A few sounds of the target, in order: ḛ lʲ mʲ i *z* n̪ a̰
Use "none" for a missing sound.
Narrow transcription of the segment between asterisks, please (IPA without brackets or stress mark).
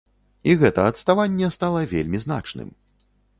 z